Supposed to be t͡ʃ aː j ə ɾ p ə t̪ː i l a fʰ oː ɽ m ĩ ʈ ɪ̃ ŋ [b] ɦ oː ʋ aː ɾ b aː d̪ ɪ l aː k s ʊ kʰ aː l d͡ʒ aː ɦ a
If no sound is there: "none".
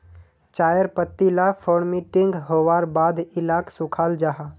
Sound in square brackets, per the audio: ɡ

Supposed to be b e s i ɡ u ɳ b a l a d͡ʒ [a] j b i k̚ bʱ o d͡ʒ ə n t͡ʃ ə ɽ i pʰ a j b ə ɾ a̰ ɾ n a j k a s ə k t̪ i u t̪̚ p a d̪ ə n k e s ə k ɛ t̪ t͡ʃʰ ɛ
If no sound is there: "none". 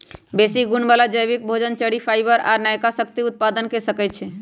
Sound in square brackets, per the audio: ə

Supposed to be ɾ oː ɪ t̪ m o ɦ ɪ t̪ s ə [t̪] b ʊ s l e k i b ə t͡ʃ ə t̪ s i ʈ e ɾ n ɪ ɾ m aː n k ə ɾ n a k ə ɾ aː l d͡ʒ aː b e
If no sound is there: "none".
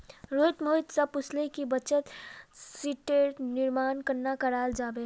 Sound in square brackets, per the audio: none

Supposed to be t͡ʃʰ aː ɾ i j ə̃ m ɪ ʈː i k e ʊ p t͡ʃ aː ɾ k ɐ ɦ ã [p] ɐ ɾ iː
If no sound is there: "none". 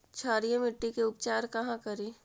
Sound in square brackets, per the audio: k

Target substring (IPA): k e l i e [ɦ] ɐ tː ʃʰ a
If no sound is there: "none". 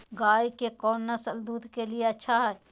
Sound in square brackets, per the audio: none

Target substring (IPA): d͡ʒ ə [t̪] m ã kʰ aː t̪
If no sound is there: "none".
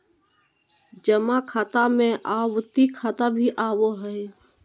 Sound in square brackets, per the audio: none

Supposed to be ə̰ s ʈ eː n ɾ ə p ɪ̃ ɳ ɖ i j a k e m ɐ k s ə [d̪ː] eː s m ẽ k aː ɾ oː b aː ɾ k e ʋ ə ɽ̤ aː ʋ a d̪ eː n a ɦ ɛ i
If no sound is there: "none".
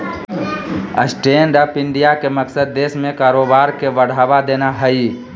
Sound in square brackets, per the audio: d̪ː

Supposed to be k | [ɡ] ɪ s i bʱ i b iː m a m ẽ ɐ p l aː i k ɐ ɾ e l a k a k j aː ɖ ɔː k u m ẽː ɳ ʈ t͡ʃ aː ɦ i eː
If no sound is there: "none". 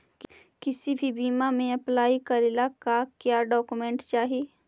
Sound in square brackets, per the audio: k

